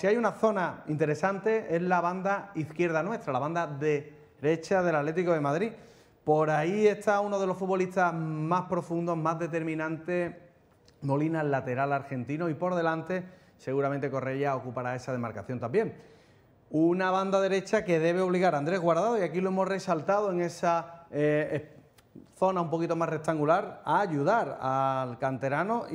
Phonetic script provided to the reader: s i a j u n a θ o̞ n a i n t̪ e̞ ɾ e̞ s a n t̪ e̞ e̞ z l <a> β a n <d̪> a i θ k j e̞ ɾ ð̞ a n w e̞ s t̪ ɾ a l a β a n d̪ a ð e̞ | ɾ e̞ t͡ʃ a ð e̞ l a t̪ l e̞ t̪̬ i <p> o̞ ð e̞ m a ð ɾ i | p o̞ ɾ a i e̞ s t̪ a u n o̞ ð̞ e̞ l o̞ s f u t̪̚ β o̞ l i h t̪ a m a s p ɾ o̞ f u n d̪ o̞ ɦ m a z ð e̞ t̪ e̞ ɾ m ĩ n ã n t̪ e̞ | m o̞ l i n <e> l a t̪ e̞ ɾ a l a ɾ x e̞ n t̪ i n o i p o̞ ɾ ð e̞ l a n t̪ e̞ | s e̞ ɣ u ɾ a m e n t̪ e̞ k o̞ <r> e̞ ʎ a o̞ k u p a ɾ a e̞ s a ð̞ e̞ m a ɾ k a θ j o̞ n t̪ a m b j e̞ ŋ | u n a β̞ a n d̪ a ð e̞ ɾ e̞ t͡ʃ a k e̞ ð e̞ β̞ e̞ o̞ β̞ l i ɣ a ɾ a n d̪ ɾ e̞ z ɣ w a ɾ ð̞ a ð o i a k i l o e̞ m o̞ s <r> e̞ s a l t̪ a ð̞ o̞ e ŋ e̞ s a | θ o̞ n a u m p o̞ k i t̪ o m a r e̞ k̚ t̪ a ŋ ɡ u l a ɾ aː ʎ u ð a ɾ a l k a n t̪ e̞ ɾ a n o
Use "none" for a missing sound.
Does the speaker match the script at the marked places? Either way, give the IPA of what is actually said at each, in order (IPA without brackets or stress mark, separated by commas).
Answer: a, d̪, k, a, r, r